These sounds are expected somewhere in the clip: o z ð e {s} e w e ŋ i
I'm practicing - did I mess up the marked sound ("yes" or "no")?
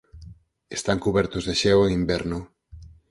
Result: yes